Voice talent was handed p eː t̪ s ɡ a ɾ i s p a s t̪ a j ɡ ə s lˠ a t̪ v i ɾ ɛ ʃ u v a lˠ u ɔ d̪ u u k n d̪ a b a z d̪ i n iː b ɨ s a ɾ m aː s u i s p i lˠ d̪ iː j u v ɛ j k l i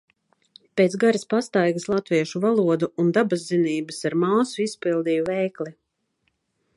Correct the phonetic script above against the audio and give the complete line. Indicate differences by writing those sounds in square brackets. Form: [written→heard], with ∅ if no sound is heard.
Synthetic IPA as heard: p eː t̪ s ɡ a ɾ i s p a s t̪ a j ɡ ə s lˠ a t̪ v i [ɾ→∅] ɛ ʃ u v a lˠ u ɔ d̪ u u [k→∅] n d̪ a b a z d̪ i n iː b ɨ s a ɾ m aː s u i s p i lˠ d̪ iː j u v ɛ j k l i